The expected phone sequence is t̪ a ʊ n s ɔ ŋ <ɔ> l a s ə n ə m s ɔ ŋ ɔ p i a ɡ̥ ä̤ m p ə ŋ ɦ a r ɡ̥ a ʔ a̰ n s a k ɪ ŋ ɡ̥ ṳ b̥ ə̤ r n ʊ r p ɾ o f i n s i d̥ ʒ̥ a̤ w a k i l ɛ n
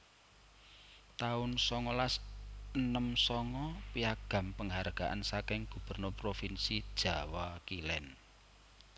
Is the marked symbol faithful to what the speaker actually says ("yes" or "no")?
yes